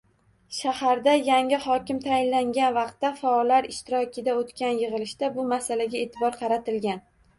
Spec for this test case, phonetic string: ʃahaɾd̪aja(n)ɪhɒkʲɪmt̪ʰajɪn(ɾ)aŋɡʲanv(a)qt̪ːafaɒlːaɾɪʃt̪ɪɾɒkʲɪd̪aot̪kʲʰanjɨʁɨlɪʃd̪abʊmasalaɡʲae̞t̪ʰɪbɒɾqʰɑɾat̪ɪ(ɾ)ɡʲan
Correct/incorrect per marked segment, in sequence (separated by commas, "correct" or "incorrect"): incorrect, incorrect, incorrect, incorrect